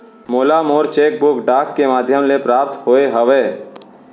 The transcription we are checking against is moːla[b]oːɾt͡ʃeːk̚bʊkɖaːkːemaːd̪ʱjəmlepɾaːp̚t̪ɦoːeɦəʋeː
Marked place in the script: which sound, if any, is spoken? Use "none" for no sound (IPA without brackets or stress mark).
m